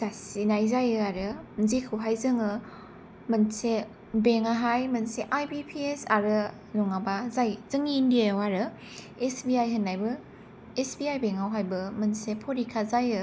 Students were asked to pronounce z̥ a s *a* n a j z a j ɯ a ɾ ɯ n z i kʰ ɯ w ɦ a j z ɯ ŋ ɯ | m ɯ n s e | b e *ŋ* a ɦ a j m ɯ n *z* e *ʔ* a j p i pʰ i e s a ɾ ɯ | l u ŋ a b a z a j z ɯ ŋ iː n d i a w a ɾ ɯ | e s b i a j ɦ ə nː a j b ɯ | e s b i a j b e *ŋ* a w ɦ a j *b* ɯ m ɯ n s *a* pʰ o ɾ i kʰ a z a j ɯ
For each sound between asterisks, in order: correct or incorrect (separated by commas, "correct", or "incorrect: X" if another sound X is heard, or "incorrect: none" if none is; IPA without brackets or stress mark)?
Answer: incorrect: i, correct, incorrect: s, correct, correct, correct, incorrect: e